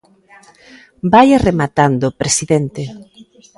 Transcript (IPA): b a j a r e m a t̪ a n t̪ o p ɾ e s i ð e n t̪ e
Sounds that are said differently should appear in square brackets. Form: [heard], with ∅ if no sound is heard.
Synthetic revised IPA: b a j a r e m a t̪ a n [d̪] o p ɾ e s i ð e n t̪ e